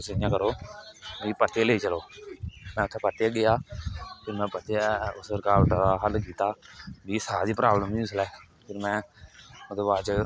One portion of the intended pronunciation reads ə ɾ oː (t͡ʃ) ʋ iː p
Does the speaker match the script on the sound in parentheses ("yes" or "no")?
no